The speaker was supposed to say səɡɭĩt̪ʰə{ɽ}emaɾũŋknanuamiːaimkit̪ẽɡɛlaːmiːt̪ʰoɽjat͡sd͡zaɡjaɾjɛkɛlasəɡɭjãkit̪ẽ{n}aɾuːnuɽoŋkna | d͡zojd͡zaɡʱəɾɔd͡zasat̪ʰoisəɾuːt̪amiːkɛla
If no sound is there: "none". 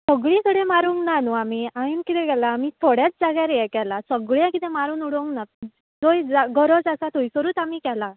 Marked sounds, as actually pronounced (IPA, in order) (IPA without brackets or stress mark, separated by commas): ɽ, m